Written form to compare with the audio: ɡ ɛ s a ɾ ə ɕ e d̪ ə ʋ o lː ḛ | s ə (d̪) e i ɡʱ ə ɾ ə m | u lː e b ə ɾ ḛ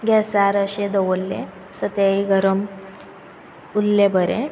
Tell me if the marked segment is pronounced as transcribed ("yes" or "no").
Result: no